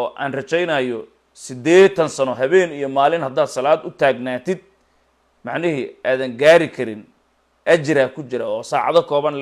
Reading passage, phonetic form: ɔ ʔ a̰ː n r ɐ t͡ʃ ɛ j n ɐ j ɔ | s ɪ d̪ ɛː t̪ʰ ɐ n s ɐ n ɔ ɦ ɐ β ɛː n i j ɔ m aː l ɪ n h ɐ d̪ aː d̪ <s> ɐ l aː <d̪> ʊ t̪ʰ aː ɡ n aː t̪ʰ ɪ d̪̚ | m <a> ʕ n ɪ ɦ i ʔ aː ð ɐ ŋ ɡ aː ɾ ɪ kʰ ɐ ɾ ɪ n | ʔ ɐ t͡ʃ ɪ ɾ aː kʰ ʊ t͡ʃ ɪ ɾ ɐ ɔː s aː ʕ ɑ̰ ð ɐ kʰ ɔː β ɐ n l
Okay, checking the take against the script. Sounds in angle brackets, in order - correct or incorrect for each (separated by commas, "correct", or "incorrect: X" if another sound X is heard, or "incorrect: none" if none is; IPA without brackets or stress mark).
correct, correct, incorrect: ɑ